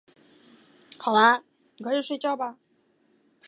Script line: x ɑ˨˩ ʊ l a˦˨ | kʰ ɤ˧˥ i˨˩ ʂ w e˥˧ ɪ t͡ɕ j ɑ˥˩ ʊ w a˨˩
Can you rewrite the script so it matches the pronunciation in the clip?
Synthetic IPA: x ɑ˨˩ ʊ l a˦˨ | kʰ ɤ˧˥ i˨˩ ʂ w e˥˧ ɪ t͡ɕ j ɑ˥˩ ʊ b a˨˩

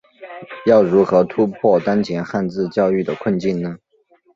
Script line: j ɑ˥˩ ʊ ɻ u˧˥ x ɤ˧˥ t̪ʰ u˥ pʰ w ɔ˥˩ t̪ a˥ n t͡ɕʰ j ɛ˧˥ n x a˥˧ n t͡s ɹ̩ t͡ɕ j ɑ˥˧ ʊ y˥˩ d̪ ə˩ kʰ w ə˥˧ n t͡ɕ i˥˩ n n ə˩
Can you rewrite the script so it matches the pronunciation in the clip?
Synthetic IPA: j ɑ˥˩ ʊ ɻ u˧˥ x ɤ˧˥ t̪ʰ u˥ pʰ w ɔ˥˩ t̪ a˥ n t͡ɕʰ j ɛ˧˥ n x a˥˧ n t͡s ɹ̩ t͡ɕ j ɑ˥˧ ʊ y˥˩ d̪ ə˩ kʰ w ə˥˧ n t͡ɕ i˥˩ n n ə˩

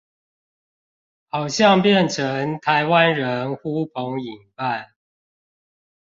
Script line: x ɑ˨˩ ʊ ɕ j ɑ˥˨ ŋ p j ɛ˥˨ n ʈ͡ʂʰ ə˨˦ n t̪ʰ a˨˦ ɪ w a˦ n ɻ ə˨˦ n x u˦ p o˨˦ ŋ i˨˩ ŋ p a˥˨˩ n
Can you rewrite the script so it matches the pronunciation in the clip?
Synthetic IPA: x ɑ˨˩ ʊ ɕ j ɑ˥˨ ŋ p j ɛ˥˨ n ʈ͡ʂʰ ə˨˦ ŋ t̪ʰ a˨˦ ɪ w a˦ n ɻ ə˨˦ n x u˦ pʰ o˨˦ ŋ i˨˩ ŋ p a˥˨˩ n

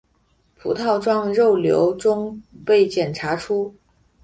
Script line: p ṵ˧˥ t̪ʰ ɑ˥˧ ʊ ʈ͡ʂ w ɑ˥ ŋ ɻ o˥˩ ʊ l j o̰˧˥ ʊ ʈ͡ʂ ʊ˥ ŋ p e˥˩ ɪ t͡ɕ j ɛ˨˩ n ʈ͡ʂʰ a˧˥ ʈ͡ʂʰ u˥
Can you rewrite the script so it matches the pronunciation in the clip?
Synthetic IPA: pʰ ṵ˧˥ t̪ʰ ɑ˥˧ ʊ ʈ͡ʂ w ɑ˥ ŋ ɻ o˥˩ ʊ l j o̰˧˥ ʊ ʈ͡ʂ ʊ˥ ŋ p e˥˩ ɪ t͡ɕ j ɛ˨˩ n ʈ͡ʂʰ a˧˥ ʈ͡ʂʰ u˥

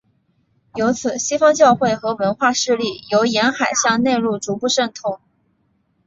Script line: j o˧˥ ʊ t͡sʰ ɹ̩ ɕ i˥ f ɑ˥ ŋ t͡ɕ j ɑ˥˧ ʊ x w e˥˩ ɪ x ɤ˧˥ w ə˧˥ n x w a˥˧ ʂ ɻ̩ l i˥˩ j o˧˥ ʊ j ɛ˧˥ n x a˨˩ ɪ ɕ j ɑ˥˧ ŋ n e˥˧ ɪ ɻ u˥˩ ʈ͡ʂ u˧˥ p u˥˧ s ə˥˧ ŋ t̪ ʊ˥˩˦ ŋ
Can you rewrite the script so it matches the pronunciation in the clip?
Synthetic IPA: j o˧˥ ʊ t͡sʰ ɹ̩ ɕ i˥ f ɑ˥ ŋ t͡ɕ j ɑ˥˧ ʊ x w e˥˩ ɪ x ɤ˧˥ w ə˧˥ n x w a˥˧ ʂ ɻ̩ l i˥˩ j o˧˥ ʊ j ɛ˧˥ n x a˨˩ ɪ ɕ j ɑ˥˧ ŋ n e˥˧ ɪ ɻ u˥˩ ʈ͡ʂ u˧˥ p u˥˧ ʂ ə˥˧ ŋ t̪ʰ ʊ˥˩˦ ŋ

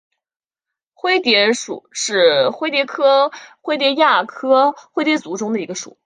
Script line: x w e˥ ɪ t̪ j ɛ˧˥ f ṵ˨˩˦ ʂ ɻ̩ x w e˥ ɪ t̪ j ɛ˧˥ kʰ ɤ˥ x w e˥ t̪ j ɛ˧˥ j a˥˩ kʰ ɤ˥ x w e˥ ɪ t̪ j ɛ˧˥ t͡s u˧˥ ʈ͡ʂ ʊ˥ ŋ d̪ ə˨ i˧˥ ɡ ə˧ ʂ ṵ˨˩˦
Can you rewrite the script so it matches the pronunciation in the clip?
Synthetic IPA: x w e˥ ɪ t̪ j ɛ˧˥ ʂ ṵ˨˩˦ ʂ ɻ̩ x w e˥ ɪ t̪ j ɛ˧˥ kʰ ɤ˥ x w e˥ t̪ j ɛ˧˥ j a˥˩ kʰ ɤ˥ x w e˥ ɪ t̪ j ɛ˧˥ t͡s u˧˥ ʈ͡ʂ ʊ˥ ŋ d̪ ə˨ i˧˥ ɡ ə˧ ʂ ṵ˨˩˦

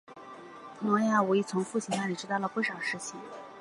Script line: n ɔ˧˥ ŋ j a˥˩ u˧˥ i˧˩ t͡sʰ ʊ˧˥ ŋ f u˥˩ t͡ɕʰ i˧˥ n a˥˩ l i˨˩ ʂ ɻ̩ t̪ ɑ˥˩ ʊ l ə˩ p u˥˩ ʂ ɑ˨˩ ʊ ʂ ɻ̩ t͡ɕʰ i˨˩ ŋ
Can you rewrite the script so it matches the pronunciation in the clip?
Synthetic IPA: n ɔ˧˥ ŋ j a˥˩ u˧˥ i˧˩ t͡sʰ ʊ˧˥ ŋ f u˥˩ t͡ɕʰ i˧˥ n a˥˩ l i˨˩ ʈ͡ʂ ɻ̩ t̪ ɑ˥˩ ʊ l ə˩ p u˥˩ ʂ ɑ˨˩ ʊ ʂ ɻ̩ t͡ɕʰ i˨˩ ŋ

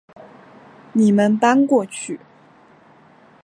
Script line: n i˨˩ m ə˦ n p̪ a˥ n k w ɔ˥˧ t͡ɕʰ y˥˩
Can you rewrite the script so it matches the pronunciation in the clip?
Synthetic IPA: n i˨˩ m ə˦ n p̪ a˥ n k w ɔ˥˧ t͡ɕʰ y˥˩

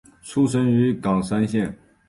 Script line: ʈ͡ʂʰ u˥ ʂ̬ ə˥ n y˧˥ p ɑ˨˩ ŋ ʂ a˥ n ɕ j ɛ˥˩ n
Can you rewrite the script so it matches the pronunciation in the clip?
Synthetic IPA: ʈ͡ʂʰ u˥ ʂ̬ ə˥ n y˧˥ k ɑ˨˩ ŋ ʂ a˥ n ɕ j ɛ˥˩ n

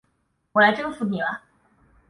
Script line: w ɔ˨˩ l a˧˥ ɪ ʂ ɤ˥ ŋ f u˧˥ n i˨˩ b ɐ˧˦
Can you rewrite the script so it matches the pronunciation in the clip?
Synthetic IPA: w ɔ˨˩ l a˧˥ ɪ ʈ͡ʂ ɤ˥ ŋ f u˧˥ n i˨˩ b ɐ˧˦

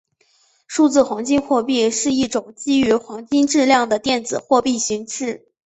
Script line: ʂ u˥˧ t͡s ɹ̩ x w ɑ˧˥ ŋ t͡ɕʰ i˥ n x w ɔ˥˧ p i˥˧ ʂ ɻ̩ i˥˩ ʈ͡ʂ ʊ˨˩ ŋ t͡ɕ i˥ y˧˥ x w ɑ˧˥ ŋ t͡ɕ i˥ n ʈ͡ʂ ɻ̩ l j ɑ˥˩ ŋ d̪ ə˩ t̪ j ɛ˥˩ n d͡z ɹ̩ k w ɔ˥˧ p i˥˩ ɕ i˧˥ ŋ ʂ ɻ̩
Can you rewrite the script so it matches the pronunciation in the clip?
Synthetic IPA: ʂ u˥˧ t͡s ɹ̩ x w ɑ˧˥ ŋ t͡ɕ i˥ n x w ɔ˥˧ p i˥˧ ʂ ɻ̩ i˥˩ ʈ͡ʂ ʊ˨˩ ŋ t͡ɕ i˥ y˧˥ x w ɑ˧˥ ŋ t͡ɕ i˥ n ʈ͡ʂ ɻ̩ l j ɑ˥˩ ŋ d̪ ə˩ t̪ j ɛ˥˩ n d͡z ɹ̩ x w ɔ˥˧ p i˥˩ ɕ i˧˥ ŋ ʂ ɻ̩

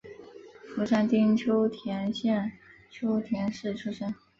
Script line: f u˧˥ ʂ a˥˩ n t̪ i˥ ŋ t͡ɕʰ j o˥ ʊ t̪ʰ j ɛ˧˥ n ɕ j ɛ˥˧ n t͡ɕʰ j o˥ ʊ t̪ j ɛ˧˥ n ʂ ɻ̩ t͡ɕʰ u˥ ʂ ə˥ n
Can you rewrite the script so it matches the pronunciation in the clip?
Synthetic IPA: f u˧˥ ʂ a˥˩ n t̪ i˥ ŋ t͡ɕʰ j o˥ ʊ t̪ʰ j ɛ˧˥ n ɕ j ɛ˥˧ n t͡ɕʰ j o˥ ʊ t̪ʰ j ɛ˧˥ n ʂ ɻ̩ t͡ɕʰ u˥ ʂ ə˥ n

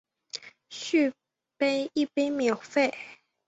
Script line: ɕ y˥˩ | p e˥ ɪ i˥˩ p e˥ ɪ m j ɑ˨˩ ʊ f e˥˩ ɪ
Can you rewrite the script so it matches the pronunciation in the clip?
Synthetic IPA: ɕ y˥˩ | p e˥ ɪ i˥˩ p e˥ ɪ m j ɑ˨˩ ʊ f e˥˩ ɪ

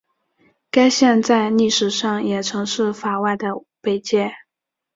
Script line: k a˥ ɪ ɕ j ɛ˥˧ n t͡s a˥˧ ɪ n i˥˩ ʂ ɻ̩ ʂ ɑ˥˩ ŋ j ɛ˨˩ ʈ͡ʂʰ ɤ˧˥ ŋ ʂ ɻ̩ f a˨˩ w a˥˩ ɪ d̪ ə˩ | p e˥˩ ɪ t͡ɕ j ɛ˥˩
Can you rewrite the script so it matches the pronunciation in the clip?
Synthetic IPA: k a˥ ɪ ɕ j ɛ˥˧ n t͡s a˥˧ ɪ n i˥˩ ʂ ɻ̩ ʂ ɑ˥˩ ŋ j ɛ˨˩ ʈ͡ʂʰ ɤ˧˥ ŋ ʂ ɻ̩ f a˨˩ w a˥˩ ɪ d̪ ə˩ | p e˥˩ ɪ t͡ɕ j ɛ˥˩

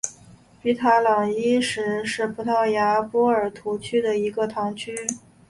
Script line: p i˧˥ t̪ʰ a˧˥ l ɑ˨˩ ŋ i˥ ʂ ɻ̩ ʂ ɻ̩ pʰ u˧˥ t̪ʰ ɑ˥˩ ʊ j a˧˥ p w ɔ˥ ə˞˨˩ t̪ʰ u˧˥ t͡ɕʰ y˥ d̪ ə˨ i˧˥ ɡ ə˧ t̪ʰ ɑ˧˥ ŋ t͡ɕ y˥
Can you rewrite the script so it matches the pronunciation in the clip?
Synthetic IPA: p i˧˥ t̪ʰ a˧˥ l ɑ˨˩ ŋ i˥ ʂ ɻ̩ ʂ ɻ̩ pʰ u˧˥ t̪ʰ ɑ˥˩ ʊ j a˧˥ p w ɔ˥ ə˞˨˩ t̪ʰ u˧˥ t͡ɕʰ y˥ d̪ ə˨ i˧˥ ɡ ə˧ t̪ʰ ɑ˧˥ ŋ t͡ɕʰ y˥

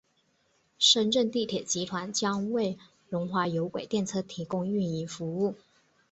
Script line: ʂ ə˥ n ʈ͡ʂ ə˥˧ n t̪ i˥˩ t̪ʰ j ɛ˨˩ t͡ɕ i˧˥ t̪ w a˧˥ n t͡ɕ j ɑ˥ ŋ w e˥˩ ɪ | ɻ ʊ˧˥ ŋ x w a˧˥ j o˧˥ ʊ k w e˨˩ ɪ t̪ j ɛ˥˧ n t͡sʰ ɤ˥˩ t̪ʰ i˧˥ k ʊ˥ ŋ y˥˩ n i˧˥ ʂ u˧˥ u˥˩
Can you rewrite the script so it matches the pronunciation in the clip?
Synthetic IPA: ʂ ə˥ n ʈ͡ʂ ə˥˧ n t̪ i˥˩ t̪ʰ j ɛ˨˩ t͡ɕ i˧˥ t̪ʰ w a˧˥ n t͡ɕ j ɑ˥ ŋ w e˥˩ ɪ | ɻ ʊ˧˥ ŋ x w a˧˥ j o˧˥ ʊ k w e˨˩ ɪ t̪ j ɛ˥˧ n t͡sʰ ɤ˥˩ t̪ʰ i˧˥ k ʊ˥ ŋ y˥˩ n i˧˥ f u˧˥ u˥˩

